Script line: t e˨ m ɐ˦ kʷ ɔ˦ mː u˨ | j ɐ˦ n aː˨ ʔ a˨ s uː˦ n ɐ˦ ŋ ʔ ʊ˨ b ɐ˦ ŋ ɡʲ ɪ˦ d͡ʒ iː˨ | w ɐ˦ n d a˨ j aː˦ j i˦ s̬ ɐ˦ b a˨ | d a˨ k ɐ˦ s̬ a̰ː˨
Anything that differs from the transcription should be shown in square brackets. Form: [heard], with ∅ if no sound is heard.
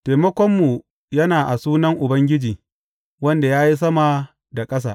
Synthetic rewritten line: t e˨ m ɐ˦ kʷ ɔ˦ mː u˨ | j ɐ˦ n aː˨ ʔ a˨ s uː˦ n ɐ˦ ŋ ʔ ʊ˨ b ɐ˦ ŋ ɡʲ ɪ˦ d͡ʒ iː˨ | w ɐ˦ n d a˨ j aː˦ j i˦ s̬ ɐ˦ [m] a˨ | d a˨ [kʼ] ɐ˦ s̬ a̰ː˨